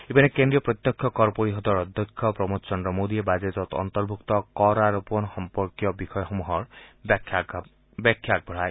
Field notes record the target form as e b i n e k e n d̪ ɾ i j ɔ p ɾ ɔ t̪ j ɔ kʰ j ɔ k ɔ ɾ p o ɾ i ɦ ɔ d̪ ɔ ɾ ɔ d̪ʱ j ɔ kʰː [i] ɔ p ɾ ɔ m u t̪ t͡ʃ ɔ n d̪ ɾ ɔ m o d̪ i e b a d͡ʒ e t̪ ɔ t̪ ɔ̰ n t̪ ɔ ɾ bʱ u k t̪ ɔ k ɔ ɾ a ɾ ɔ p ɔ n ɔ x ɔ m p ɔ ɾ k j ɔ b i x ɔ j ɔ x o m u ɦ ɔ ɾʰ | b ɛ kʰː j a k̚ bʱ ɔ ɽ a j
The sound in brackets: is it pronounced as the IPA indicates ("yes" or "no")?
no